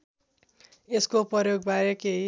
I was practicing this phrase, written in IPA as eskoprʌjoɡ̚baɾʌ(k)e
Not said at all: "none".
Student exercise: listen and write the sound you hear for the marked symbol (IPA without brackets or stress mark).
k